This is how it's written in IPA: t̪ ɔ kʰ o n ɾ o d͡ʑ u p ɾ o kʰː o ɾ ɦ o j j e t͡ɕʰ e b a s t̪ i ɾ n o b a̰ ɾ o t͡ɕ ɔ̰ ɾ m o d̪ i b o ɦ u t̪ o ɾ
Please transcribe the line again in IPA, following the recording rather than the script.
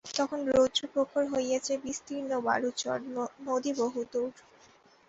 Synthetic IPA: t̪ ɔ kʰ o n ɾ o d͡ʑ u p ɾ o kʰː o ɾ ɦ o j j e t͡ɕʰ e b i s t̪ i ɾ n o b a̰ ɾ u t͡ɕ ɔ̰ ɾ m o d̪ i b o ɦ u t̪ o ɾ